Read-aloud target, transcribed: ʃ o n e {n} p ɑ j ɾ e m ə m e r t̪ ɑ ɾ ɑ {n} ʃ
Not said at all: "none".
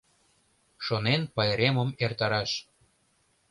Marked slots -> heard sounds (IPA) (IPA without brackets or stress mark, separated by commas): n, none